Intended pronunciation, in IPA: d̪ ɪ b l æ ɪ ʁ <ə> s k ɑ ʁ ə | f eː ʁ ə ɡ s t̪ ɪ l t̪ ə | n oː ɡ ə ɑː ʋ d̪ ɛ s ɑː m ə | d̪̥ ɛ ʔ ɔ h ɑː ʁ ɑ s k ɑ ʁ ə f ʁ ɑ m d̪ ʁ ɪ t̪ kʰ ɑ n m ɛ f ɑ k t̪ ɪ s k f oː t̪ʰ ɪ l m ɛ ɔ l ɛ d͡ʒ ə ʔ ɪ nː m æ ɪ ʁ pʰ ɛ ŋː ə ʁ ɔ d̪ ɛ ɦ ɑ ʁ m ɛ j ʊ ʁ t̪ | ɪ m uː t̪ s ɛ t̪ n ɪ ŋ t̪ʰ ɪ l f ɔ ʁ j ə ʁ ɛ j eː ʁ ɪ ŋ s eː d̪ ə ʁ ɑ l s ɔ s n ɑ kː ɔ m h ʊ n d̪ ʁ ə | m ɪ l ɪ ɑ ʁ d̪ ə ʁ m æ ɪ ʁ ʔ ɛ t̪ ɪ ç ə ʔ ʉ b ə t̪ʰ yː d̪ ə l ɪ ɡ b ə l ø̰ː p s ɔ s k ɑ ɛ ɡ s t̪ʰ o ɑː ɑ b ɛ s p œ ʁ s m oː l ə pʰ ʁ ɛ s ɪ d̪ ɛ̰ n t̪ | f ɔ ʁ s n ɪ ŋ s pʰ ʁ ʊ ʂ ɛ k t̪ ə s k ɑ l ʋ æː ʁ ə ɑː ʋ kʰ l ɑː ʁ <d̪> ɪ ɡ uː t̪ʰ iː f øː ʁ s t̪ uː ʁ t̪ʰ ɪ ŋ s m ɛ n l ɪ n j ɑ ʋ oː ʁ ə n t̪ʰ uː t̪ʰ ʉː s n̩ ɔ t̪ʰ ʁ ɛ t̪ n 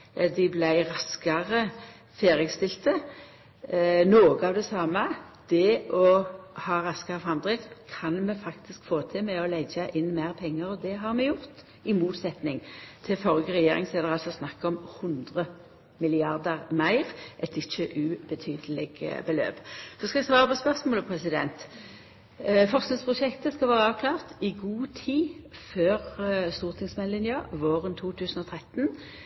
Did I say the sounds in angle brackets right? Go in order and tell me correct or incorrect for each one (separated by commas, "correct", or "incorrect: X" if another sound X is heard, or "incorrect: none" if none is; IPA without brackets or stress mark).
incorrect: ɑ, incorrect: t̪